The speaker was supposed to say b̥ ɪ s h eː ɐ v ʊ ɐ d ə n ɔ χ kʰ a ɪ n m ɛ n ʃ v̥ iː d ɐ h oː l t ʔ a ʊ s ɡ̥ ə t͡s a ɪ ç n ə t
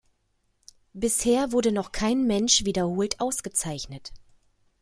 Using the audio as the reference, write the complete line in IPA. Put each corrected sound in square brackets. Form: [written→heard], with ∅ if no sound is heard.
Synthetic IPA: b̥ ɪ s h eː ɐ v ʊ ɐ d ə n ɔ χ kʰ a ɪ n m ɛ n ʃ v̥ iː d ɐ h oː l t ʔ a ʊ s ɡ̥ ə t͡s a ɪ ç n ə t